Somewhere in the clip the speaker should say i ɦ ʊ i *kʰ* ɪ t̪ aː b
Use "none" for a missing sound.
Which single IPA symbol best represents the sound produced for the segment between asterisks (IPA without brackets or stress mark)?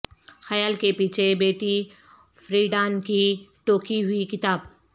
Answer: k